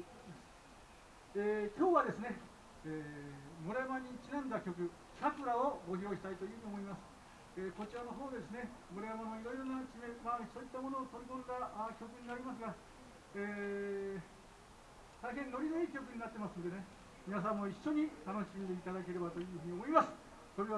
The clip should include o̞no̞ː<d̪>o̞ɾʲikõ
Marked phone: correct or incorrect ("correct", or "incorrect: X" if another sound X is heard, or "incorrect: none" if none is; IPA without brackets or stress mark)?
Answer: incorrect: t̪